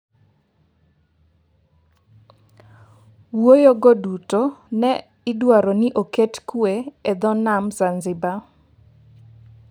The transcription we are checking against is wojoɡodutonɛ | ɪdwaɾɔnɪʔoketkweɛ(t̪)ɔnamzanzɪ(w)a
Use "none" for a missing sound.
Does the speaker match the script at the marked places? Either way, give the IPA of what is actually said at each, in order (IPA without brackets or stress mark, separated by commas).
d̪, b